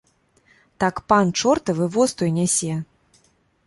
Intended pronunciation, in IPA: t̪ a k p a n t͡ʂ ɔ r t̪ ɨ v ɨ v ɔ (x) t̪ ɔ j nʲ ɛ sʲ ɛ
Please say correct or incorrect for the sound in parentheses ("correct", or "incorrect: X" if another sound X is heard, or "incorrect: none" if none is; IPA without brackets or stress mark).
incorrect: s